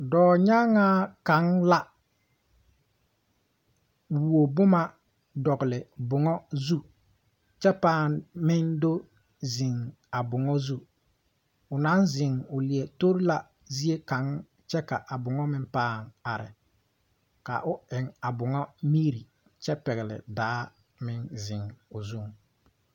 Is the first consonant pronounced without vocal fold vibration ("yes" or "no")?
no